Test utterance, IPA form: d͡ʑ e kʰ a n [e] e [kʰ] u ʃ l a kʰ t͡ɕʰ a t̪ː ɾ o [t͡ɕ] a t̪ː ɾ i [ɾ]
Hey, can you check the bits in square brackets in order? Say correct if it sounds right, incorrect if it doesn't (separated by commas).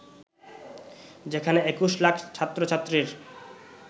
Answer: correct, incorrect, incorrect, correct